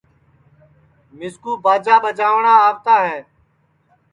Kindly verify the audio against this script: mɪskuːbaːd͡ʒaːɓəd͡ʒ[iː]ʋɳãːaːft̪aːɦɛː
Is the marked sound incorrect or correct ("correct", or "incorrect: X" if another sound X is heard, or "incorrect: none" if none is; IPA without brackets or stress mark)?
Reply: incorrect: aː